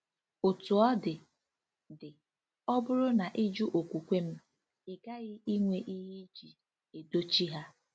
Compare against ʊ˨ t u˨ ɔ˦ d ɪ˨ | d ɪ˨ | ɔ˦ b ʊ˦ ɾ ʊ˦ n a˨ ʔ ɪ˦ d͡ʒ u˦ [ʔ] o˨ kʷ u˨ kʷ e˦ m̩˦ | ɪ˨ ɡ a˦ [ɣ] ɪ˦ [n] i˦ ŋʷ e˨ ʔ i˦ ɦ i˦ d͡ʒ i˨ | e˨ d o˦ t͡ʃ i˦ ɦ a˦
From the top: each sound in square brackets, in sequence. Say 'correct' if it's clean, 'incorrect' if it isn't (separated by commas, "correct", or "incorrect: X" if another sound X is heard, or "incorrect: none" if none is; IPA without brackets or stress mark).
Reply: correct, correct, incorrect: none